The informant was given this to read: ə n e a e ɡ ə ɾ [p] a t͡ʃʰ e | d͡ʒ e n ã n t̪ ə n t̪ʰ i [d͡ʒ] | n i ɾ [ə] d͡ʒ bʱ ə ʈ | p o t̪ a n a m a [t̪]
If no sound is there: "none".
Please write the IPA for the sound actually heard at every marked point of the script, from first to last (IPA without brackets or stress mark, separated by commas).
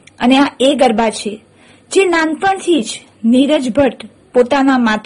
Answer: b, d͡ʒ, ə, t̪